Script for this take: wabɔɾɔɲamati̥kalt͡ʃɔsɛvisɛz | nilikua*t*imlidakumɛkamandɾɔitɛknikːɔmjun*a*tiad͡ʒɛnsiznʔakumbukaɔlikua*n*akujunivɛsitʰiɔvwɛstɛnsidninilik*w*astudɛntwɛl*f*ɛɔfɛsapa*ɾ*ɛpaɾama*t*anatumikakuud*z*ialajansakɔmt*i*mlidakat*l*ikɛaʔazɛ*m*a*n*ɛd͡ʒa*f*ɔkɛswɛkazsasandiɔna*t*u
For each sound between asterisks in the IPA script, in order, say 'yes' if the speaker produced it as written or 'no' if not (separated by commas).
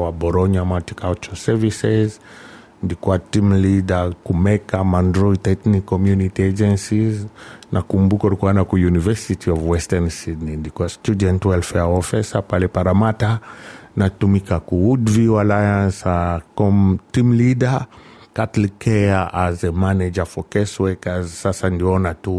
yes, no, yes, no, yes, no, yes, no, yes, yes, yes, yes, yes, yes